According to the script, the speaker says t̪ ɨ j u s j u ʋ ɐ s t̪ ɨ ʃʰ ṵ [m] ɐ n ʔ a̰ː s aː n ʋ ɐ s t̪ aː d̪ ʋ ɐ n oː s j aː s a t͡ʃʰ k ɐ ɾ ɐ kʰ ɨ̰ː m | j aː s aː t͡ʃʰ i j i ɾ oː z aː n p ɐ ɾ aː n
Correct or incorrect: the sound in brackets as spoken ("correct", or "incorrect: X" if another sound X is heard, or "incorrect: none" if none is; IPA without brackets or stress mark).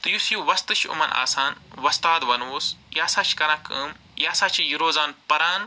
correct